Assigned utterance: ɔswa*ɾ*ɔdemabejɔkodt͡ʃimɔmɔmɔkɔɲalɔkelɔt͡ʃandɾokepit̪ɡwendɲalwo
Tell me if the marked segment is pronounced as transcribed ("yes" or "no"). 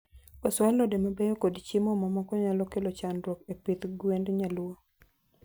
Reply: no